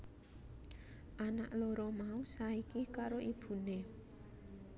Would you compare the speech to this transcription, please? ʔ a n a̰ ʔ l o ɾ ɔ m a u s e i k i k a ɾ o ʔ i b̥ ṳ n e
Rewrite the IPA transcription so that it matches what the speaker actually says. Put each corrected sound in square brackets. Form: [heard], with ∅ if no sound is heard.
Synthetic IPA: ʔ a n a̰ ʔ l o ɾ ɔ m a u s [a] i k i k a ɾ o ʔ i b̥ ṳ n e